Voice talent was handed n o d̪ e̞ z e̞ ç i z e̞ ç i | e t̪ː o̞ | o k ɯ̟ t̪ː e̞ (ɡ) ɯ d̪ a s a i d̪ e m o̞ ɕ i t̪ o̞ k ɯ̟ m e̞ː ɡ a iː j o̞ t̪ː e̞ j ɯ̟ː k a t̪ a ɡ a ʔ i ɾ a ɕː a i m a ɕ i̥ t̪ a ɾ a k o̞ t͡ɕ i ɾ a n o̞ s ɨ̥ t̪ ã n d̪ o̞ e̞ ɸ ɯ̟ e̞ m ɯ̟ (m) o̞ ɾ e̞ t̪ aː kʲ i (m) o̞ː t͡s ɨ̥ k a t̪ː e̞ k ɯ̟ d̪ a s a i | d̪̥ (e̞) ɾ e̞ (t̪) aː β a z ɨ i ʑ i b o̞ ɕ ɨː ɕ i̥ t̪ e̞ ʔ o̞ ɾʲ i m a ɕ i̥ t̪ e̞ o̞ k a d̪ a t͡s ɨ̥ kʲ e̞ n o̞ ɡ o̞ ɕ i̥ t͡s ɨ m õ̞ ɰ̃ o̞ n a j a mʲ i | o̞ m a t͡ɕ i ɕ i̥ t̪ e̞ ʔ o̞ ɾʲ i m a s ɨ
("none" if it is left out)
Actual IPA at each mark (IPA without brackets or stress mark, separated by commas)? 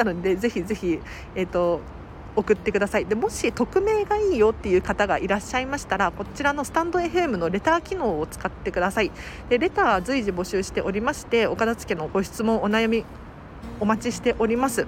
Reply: k, n, n, e̞, t̪